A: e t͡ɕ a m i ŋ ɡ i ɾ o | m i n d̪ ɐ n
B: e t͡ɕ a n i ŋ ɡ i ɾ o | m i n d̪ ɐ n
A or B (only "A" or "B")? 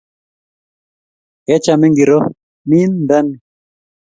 A